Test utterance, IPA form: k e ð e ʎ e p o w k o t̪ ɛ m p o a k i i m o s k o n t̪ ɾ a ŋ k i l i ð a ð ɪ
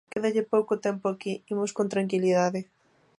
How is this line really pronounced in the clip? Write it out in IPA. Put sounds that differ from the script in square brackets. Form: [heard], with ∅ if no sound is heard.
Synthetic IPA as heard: k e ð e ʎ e p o w k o t̪ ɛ m p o a k i i m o s k o n t̪ ɾ a ŋ k i l i ð a ð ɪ